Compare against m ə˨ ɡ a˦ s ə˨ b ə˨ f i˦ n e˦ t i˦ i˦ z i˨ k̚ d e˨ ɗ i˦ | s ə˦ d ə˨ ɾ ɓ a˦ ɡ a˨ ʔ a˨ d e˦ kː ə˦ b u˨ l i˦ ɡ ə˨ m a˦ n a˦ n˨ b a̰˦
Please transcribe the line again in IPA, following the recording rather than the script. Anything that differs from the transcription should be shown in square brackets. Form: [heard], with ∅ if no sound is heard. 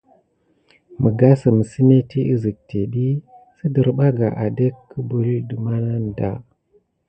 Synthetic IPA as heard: m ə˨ ɡ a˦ s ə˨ [m] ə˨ [s] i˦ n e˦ t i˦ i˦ z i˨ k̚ [t] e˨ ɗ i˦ | s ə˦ d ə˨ ɾ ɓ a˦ ɡ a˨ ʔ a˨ d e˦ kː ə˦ b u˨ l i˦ [d] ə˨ m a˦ n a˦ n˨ [d] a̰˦